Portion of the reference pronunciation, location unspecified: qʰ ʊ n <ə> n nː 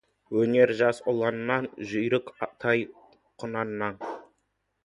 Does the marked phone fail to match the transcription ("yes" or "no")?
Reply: yes